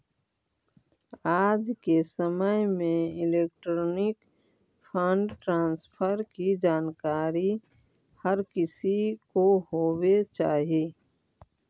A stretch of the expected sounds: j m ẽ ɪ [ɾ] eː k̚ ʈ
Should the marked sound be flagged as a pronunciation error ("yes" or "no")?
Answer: yes